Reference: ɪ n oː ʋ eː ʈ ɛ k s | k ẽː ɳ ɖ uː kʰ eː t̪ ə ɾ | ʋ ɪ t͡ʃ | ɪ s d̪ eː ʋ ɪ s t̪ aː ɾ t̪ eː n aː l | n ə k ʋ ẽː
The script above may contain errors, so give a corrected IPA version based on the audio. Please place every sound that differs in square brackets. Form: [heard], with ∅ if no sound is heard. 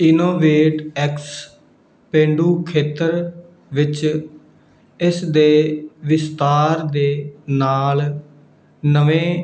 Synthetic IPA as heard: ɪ n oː ʋ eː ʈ ɛ k s | [p] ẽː ɳ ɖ uː kʰ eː t̪ ə ɾ | ʋ ɪ t͡ʃ | ɪ s d̪ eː ʋ ɪ s t̪ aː ɾ [d̪] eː n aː l | n ə [∅] ʋ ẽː